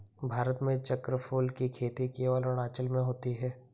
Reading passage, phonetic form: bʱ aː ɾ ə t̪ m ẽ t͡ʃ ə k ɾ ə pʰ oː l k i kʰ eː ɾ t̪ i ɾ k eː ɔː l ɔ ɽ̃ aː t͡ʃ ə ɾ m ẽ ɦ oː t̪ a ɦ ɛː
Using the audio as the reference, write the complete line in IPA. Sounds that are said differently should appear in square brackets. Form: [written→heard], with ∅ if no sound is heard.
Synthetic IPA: bʱ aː ɾ ə t̪ m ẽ t͡ʃ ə k ɾ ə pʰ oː l k i kʰ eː [ɾ→∅] t̪ i [ɾ→∅] k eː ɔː l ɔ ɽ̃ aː t͡ʃ ə [ɾ→l] m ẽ ɦ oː t̪ [a→i] ɦ ɛː